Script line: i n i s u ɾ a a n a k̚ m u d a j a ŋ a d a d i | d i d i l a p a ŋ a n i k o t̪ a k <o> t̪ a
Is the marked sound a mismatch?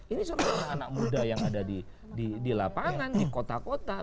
no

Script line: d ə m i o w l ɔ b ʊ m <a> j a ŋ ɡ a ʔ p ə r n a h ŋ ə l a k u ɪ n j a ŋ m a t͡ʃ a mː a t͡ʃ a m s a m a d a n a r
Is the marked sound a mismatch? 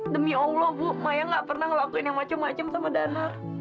no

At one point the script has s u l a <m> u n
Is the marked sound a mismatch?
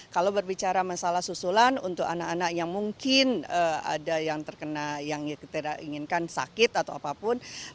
yes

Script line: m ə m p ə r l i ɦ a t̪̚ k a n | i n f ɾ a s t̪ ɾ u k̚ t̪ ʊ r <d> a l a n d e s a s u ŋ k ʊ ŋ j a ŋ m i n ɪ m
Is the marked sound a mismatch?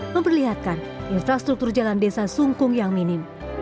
yes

